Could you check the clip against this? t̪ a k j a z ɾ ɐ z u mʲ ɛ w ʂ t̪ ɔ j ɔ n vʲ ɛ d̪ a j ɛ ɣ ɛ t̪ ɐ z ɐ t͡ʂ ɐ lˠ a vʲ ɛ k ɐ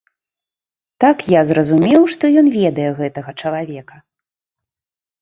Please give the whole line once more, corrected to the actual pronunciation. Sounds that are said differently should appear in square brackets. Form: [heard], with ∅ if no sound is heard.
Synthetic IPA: t̪ a k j a z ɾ ɐ z u mʲ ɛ w ʂ t̪ ɔ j ɔ n vʲ ɛ d̪ [ɐ] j ɛ ɣ ɛ t̪ ɐ [ɣ] ɐ t͡ʂ ɐ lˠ a vʲ ɛ k ɐ